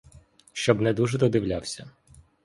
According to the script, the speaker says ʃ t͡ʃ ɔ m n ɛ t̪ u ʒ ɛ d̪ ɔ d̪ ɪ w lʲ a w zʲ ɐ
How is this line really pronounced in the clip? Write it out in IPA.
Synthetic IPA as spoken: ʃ t͡ʃ ɔ b n ɛ d̪ u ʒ ɛ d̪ ɔ d̪ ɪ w lʲ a w sʲ ɐ